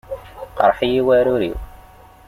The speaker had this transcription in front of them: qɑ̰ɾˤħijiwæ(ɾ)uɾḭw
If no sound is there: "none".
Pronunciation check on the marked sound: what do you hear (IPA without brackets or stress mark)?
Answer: ɾ